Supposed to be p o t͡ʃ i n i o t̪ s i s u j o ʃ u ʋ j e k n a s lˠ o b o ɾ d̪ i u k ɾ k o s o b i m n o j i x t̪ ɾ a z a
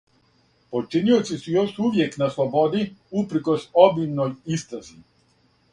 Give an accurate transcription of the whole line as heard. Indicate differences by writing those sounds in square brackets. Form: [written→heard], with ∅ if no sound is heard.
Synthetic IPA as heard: p o t͡ʃ i n i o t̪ s i s u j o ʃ u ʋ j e k n a s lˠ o b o [ɾ→∅] d̪ i u [k→p] ɾ k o s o b i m n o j i [x→s] t̪ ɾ a z [a→i]